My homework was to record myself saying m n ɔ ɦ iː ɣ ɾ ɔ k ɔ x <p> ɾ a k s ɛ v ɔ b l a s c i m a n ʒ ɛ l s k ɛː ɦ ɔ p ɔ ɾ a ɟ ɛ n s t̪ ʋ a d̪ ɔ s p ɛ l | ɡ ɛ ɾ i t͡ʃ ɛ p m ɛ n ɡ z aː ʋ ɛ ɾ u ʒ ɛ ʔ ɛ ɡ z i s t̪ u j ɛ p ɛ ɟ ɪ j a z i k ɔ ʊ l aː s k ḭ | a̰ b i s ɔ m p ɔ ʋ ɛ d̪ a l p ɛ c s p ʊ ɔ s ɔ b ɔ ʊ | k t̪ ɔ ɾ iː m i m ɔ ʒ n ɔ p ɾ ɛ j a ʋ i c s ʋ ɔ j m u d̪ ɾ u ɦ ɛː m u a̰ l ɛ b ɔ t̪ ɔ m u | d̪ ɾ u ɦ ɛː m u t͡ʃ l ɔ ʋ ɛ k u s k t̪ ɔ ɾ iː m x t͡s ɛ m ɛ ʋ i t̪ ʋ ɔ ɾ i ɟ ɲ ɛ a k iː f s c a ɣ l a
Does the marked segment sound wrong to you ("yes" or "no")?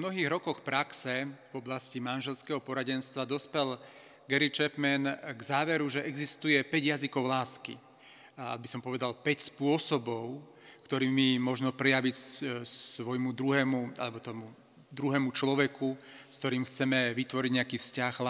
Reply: no